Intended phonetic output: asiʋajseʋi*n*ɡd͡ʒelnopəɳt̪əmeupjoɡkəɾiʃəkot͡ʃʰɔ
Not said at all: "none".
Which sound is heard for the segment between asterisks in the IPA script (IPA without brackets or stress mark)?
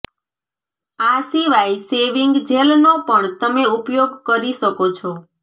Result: ŋ